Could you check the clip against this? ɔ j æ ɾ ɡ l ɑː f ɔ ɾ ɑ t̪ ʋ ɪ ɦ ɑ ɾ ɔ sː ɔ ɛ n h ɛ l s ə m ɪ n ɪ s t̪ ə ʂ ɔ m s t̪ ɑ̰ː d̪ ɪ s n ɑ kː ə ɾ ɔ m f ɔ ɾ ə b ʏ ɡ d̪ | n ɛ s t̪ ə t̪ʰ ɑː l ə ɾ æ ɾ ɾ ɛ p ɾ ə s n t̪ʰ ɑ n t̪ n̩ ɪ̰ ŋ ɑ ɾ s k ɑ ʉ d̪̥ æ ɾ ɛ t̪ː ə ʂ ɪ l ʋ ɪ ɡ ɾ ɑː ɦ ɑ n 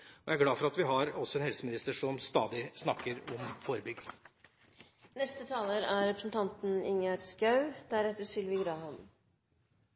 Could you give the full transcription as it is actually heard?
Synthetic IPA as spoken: ɔ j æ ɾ ɡ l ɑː f ɔ ɾ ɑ t̪ ʋ ɪ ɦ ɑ ɾ ɔ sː ɔ ɛ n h ɛ l s ə m ɪ n ɪ s t̪ ə ʂ ɔ m s t̪ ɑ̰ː d̪ ɪ s n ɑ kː ə ɾ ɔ m f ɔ ɾ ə b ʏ ɡ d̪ | n ɛ s t̪ ə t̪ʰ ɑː l ə ɾ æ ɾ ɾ ɛ p ɾ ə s n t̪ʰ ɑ n t̪ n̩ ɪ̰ ŋ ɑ ɾ s k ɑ ʉ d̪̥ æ ɾ ɛ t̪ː ə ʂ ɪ l ʋ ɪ ɡ ɾ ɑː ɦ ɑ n

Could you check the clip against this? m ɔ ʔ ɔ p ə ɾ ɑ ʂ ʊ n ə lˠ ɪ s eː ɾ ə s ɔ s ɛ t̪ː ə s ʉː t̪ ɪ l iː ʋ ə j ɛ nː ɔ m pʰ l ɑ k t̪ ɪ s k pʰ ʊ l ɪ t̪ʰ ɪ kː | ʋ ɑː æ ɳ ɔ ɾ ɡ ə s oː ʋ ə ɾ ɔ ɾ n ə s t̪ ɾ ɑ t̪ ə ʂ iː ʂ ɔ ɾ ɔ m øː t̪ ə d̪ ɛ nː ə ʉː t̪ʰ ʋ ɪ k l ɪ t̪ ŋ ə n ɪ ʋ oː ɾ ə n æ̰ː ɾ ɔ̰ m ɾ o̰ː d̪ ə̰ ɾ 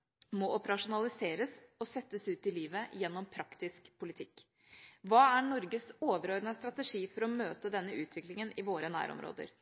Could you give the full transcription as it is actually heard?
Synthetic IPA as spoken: m ɔ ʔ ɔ p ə ɾ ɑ ʂ ʊ n ɑ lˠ ɪ s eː ɾ ə s ɔ s ɛ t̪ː ə s ʉː t̪ ɪ l iː ʋ ə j ɛ nː ɔ m pʰ ɾ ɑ k t̪ ɪ s k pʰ ʊ l ɪ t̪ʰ ɪ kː | ʋ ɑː æ ɳ ɔ ɾ ɡ ə s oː ʋ ə ɾ ɔ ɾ n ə s t̪ ɾ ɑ t̪ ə ʂ iː f ɔ ɾ ɔ m øː t̪ ə d̪ ɛ nː ə ʉː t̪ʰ ʋ ɪ k l ɪ ŋ ə n ɪ ʋ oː ɾ ə n æ̰ː ɾ ɔ̰ m ɾ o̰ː d̪ ə̰ ɾ

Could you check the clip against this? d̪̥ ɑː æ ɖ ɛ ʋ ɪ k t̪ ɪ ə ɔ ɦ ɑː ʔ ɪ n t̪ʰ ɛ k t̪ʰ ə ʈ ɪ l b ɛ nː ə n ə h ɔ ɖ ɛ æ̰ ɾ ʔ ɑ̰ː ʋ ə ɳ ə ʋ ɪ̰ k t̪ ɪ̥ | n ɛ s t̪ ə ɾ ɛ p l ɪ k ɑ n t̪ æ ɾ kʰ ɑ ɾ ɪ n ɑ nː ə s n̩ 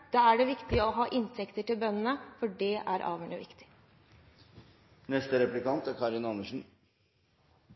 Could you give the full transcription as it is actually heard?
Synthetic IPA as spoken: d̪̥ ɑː æ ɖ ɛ ʋ ɪ k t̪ ɪ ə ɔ ɦ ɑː ʔ ɪ n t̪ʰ ɛ k t̪ ə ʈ ɪ l b œ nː ə n ə f ɔ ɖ ɛ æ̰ ɾ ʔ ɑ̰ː ʋ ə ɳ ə ʋ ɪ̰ k t̪ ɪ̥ | n ɛ s t̪ ə ɾ ɛ p l ɪ k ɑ n t̪ æ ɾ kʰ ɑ ɾ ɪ n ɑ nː ə ʂ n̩

